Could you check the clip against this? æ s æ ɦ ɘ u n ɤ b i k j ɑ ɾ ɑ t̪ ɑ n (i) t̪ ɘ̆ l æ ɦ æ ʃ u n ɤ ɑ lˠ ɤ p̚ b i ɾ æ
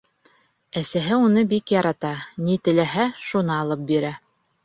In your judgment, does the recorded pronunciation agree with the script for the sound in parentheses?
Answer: yes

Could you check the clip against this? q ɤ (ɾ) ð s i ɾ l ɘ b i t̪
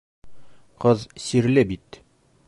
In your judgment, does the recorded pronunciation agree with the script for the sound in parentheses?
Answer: no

